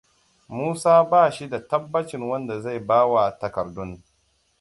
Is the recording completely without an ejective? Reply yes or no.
yes